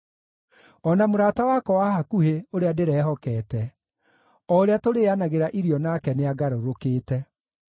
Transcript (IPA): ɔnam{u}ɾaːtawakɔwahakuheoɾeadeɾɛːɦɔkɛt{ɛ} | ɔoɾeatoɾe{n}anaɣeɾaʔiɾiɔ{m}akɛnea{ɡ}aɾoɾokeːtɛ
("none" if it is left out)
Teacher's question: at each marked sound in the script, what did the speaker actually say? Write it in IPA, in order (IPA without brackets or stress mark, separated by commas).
o, ɛ, none, n, ɡ